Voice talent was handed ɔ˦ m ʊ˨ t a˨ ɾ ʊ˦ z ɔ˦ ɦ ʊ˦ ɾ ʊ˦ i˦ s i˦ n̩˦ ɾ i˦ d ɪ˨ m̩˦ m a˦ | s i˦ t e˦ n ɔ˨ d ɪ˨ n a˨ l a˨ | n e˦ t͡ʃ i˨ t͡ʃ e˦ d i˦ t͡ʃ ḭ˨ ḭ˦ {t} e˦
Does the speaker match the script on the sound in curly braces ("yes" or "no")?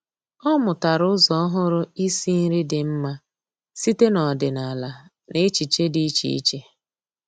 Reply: no